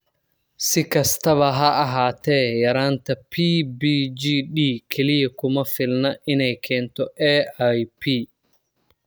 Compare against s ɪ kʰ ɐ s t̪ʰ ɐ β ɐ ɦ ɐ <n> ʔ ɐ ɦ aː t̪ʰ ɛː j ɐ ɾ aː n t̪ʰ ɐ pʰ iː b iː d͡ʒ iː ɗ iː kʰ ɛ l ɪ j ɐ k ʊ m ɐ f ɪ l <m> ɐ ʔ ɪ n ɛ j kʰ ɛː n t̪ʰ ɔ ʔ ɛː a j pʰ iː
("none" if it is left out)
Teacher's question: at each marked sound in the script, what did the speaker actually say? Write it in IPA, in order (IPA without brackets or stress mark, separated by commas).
none, n